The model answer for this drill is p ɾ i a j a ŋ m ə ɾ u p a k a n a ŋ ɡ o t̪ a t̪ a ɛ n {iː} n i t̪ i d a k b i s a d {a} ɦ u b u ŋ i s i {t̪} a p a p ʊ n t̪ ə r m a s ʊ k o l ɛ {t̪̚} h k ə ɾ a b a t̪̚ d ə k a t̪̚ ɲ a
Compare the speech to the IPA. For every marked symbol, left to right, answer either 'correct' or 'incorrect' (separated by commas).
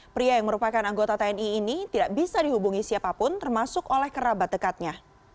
correct, incorrect, incorrect, incorrect